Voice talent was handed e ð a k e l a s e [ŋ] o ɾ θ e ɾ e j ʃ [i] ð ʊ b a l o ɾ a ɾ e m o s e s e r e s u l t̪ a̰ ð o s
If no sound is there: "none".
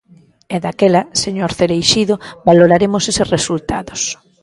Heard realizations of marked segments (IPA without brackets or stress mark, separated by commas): ɲ, i